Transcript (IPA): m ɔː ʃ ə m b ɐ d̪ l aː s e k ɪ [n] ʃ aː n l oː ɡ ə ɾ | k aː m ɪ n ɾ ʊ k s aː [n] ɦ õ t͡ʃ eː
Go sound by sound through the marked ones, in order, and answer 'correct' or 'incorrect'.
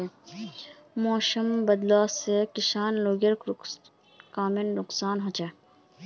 incorrect, correct

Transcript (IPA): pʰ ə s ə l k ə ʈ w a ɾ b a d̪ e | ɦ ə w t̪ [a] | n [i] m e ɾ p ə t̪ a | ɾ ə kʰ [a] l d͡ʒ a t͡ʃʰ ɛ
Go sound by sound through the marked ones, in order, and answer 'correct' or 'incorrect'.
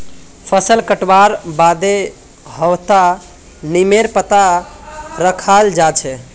correct, correct, correct

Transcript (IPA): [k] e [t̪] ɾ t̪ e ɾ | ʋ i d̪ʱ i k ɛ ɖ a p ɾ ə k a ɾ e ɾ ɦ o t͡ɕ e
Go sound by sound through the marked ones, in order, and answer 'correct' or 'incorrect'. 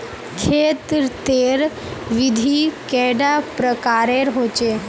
incorrect, correct

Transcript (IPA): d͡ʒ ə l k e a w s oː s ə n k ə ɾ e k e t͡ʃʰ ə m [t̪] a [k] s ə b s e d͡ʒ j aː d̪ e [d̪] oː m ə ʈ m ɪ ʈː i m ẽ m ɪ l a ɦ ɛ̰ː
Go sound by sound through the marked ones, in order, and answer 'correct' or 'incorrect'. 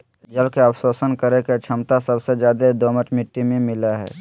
correct, incorrect, correct

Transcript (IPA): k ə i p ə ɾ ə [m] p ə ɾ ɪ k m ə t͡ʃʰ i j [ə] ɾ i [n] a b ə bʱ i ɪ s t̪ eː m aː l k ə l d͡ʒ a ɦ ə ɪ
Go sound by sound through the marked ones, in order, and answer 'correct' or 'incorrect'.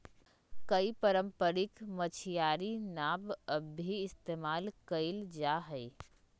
correct, incorrect, correct

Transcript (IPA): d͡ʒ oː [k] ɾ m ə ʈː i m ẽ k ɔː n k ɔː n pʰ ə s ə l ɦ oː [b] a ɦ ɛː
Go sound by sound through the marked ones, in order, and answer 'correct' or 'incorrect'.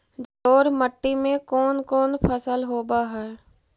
incorrect, correct

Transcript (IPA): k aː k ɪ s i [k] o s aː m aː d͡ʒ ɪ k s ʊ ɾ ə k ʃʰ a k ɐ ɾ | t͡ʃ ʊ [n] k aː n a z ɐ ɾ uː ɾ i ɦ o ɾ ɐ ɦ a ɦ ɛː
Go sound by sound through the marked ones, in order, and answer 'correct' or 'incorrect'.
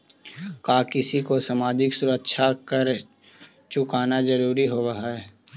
correct, incorrect

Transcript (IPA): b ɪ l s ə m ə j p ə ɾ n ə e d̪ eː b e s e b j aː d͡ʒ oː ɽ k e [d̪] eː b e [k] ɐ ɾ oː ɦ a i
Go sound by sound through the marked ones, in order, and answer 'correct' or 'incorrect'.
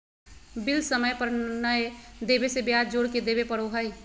correct, incorrect

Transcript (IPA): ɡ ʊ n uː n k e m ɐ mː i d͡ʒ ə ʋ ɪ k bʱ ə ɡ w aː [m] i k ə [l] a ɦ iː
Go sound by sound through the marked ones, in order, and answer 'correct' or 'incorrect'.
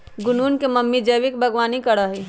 incorrect, incorrect

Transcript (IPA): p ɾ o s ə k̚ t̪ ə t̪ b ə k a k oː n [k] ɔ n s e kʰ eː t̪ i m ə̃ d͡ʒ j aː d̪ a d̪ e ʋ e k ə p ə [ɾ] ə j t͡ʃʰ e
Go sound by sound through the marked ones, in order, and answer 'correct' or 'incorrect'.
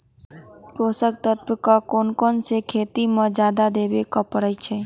correct, correct

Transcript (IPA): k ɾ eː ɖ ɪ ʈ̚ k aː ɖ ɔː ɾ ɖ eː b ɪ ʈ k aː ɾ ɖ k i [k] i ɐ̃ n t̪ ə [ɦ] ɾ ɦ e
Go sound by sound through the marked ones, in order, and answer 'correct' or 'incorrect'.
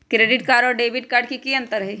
correct, incorrect

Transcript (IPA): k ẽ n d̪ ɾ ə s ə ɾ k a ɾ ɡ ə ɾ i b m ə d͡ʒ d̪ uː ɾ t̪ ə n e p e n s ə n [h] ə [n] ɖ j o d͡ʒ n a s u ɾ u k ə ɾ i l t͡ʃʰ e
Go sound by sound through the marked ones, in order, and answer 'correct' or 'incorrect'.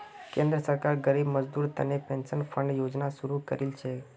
incorrect, incorrect

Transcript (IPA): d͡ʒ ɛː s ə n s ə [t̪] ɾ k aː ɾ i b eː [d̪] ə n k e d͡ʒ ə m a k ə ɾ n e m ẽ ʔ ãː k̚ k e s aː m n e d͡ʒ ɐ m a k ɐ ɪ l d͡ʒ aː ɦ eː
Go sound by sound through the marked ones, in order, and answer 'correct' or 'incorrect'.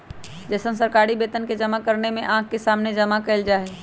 incorrect, incorrect

